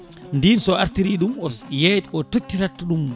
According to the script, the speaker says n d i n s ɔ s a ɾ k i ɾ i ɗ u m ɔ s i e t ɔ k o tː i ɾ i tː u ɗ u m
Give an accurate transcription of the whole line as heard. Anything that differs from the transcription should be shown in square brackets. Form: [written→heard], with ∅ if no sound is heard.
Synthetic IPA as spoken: n d i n s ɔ [s→∅] a ɾ [k→t] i ɾ i ɗ u m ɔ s [i→j] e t ɔ [k→t] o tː i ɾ [i→a] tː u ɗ u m